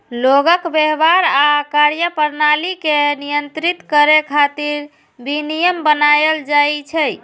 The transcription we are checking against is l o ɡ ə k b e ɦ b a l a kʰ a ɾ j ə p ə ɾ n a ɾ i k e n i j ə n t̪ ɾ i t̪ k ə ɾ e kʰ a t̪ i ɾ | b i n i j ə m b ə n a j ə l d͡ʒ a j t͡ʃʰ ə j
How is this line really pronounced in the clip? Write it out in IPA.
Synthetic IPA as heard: l o ɡ ə k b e ɦ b a ɾ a k a ɾ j ə p ə ɾ n a l i k e n i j ə n t̪ ɾ i t̪ k ə ɾ e kʰ a t̪ i ɾ | b i n i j ə m b ə n a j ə l d͡ʒ a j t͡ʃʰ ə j